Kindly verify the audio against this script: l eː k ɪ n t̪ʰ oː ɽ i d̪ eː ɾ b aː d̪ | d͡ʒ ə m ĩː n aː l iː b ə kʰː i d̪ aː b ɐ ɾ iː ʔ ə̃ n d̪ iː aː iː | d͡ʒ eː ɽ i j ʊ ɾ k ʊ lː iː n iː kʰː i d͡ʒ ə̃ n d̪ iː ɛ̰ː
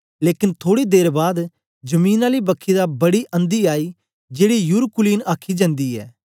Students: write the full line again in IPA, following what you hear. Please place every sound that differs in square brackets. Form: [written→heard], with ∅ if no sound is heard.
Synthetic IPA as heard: l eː k ɪ n t̪ʰ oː ɽ i d̪ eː ɾ b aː d̪ | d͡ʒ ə m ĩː n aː l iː b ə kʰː i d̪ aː b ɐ [ɾ→ɽ] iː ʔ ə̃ n d̪ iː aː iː | d͡ʒ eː ɽ i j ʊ ɾ k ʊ [lː→l] iː n [iː→aː] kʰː i d͡ʒ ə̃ n d̪ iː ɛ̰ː